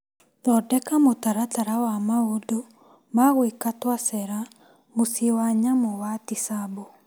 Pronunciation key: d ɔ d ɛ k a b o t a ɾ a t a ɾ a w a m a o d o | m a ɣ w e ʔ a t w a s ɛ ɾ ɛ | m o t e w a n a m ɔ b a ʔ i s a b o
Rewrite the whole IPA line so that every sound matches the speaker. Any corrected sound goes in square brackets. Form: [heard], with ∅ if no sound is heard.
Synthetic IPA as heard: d ɔ d ɛ k a [m] o t a ɾ a t a ɾ a w a m a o d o | m a ɣ w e [k] a t w a s ɛ ɾ [a] | m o [s] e w a [ɲ] a m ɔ [w] a [t] i s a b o